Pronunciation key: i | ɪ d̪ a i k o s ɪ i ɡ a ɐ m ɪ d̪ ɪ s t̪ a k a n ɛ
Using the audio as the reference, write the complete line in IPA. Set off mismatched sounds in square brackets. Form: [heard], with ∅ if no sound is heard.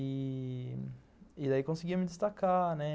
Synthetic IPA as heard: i | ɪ d̪ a i k [õ] s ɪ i ɡ [i] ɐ m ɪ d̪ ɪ s t̪ a k a n ɛ